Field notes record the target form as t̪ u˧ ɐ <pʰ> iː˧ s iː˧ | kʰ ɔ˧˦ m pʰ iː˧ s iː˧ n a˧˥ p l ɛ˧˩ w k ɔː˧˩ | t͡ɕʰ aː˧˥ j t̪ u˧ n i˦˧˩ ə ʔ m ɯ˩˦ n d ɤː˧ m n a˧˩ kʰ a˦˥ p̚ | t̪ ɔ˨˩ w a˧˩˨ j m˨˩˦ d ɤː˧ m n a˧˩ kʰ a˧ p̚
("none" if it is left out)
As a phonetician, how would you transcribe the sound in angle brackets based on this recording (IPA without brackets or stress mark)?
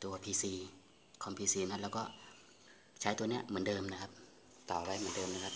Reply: pʰ